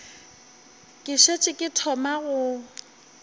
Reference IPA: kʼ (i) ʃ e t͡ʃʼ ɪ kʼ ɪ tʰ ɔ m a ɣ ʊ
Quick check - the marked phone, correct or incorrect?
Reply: incorrect: ɪ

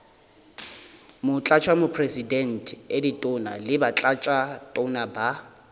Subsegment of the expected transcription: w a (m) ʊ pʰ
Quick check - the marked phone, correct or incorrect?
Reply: correct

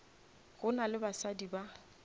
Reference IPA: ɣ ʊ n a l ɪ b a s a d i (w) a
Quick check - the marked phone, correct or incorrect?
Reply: incorrect: b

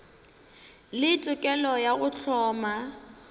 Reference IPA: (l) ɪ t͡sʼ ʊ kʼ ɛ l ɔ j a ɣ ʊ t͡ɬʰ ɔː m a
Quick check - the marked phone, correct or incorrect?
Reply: correct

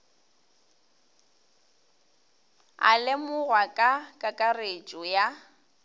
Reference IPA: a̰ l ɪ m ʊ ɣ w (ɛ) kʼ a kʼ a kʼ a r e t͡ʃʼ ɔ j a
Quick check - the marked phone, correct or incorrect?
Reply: incorrect: a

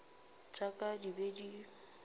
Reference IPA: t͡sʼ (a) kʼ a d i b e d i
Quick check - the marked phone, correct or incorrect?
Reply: correct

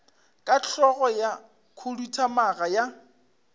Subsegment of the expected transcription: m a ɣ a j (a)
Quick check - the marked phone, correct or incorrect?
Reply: correct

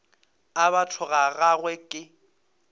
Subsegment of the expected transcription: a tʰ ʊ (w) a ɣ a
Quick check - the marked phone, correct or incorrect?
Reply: incorrect: ɣ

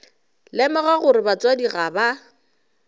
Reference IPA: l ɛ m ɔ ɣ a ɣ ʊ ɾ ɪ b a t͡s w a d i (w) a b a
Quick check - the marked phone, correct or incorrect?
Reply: incorrect: ɣ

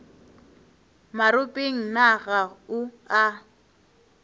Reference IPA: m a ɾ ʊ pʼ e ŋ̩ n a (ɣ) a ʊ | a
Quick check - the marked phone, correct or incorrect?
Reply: correct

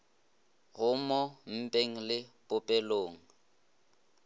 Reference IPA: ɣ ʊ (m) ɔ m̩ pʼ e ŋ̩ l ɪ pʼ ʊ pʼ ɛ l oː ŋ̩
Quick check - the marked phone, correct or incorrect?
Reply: correct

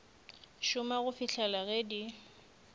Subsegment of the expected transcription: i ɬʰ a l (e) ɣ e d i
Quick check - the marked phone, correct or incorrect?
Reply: incorrect: a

